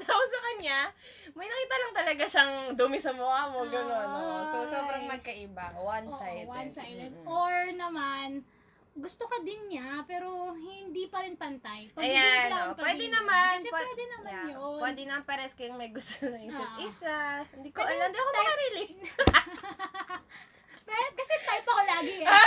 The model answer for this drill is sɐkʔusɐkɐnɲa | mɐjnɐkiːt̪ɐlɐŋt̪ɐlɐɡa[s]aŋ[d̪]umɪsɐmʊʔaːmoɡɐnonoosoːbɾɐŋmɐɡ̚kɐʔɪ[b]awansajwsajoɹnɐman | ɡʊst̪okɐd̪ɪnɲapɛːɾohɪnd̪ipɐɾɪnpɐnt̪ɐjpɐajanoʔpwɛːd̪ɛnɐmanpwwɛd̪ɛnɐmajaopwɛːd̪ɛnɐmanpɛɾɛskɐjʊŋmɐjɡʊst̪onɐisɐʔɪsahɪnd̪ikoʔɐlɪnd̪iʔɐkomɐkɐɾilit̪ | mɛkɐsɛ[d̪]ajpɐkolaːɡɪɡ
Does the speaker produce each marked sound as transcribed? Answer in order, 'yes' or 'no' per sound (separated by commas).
no, yes, yes, no